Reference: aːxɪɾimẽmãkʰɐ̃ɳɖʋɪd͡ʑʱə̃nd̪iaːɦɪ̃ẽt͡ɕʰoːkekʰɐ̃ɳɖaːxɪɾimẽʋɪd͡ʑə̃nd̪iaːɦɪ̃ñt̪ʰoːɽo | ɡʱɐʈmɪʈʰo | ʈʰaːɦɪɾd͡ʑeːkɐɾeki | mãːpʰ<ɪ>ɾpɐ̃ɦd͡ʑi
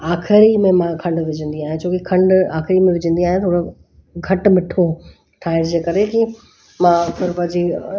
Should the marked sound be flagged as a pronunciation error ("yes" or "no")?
no